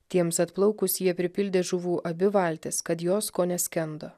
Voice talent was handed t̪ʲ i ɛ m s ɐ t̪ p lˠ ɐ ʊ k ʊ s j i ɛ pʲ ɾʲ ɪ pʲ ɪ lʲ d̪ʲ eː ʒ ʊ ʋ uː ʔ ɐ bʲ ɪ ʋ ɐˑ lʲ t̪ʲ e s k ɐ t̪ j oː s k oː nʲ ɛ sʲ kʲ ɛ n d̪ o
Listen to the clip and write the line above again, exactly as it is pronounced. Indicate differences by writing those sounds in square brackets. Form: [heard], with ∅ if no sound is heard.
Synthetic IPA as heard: t̪ʲ i ɛ m s ɐ t̪ p lˠ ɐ ʊ k ʊ s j i ɛ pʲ ɾʲ ɪ pʲ ɪ lʲ d̪ʲ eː ʒ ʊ ʋ uː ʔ ɐ bʲ ɪ ʋ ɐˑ lʲ t̪ʲ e s k ɐ t̪ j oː s k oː nʲ ɛ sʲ kʲ ɛ n d̪ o